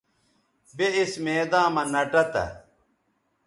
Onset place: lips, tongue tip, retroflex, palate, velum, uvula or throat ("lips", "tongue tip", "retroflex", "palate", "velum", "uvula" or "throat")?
lips